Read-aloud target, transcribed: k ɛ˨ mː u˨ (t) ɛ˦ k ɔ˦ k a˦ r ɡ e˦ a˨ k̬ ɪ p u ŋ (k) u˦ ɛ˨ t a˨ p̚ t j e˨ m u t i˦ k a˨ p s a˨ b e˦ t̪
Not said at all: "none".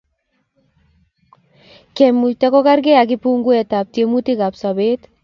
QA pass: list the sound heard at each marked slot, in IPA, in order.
t, ɡ

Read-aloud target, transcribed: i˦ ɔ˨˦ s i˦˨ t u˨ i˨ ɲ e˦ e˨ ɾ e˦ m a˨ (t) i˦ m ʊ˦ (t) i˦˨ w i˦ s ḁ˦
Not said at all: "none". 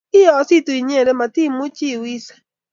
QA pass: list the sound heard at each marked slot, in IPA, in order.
t, t͡ʃ

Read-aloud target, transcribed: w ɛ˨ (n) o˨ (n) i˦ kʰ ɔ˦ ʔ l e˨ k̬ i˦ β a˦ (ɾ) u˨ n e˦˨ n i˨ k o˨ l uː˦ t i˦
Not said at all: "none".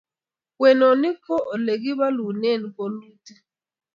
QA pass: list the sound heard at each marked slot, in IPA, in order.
n, n, l

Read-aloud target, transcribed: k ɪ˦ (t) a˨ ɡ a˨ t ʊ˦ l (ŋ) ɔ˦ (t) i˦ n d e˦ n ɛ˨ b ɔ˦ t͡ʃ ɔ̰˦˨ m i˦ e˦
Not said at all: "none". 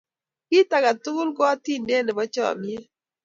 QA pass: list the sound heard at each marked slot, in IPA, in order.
t, ɡ, t

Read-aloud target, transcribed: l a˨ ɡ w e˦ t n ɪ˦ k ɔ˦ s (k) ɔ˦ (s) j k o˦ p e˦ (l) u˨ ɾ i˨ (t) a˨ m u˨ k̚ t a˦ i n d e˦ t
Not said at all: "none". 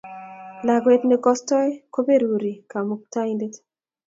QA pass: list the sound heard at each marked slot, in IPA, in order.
t, none, ɾ, k

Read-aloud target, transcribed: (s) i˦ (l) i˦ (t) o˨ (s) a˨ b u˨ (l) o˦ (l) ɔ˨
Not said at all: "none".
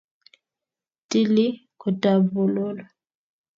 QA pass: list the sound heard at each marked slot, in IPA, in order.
t, l, k, t, l, l

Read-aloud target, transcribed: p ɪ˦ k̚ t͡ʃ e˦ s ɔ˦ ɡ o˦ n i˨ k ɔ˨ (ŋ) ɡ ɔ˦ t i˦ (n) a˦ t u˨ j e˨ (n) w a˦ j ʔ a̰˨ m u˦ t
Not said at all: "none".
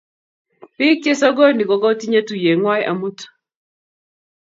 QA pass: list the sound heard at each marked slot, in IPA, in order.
none, ɲ, ŋ

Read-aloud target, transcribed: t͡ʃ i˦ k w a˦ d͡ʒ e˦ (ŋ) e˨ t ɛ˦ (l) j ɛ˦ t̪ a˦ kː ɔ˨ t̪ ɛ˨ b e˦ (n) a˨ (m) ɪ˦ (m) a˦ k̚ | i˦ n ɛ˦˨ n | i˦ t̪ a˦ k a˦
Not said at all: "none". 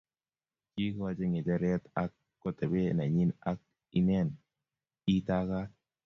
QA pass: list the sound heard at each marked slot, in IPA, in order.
ŋ, ɾ, n, ɲ, n

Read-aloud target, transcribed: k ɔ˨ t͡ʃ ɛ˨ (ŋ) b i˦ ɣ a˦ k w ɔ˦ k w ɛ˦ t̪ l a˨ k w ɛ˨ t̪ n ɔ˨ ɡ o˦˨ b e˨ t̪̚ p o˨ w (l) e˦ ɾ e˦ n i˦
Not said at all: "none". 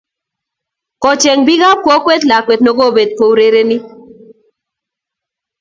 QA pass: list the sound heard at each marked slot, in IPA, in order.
ŋ, ɾ

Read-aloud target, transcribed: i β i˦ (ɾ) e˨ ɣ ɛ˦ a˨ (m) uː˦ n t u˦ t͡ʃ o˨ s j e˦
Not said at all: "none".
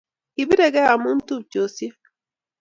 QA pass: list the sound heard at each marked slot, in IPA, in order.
ɾ, m

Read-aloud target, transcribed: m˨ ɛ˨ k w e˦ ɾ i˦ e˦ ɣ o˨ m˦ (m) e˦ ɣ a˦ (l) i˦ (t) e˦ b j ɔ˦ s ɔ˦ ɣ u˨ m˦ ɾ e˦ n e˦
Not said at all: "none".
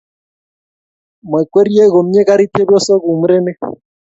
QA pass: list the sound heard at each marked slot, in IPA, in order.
ɲ, ɾ, t

